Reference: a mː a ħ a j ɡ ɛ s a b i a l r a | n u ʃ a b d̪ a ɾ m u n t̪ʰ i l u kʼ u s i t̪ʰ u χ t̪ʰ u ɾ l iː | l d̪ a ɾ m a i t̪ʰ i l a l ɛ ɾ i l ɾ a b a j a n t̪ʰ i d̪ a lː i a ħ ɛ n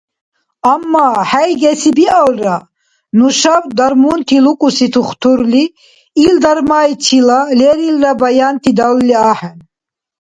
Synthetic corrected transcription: a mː a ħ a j ɡ ɛ s i b i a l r a | n u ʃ a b d̪ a ɾ m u n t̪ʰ i l u kʼ u s i t̪ʰ u χ t̪ʰ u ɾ l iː | l d̪ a ɾ m a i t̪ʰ i l a l ɛ ɾ i l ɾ a b a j a n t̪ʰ i d̪ a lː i a ħ ɛ n